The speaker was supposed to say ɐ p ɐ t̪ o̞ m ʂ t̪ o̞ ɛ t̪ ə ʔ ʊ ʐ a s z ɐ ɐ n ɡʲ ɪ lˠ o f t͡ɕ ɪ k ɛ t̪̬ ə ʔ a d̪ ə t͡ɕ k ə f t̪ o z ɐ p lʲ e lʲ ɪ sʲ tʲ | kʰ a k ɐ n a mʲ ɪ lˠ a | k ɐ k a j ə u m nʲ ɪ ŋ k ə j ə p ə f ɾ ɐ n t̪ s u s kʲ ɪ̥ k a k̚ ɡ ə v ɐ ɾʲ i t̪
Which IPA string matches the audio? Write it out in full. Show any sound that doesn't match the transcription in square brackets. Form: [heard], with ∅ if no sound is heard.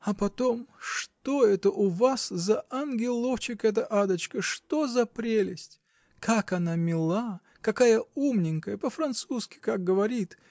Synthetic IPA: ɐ p ɐ t̪ o̞ m ʂ t̪ o̞ ɛ t̪ ə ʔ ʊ [v] a s z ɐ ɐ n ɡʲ ɪ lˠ o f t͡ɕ ɪ k ɛ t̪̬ ə ʔ a d̪ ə t͡ɕ k ə [ʂ] t̪ o z ɐ p [ɾʲ] e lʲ ɪ sʲ tʲ | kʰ a k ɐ n a mʲ ɪ lˠ a | k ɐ k a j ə u m nʲ ɪ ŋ k ə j ə p ə f ɾ ɐ n t̪ s u s kʲ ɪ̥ k a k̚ ɡ ə v ɐ ɾʲ i t̪